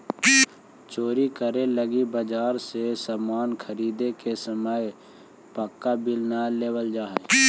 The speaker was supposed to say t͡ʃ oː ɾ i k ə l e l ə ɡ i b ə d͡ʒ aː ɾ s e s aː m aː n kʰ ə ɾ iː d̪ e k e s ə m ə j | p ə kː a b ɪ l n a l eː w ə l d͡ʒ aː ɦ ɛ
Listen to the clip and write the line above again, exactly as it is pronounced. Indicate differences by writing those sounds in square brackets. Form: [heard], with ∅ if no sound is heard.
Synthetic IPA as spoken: t͡ʃ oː ɾ i k ə [ɾ] e l ə ɡ i b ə d͡ʒ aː ɾ s e s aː m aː n kʰ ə ɾ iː d̪ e k e s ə m ə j | p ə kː a b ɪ l n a l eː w ə l d͡ʒ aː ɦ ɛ